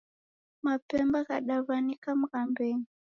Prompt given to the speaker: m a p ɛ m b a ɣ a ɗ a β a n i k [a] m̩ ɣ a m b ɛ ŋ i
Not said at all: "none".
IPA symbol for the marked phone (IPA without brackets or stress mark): a